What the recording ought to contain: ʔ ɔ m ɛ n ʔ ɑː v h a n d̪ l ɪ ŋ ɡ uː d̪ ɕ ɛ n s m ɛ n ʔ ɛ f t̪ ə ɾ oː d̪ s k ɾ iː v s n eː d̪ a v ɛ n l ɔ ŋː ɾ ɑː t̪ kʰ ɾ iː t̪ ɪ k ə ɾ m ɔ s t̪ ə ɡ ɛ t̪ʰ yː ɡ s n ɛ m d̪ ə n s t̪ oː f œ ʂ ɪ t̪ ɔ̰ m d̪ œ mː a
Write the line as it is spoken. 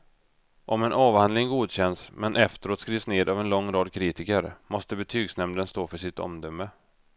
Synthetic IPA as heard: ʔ ɔ m ɛ n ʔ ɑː v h a n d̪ l ɪ ŋ ɡ uː d̪ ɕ ɛ n s m ɛ n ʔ ɛ f t̪ ə ɾ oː t̪ s k ɾ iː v s n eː d̪ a v ɛ n l ɔ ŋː ɾ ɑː d̪ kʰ ɾ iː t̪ ɪ k ə ɾ m ɔ s t̪ ə b ɛ t̪ʰ yː ɡ s n ɛ m d̪ ə n s t̪ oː f œ ʂ ɪ t̪ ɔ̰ m d̪ œ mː ə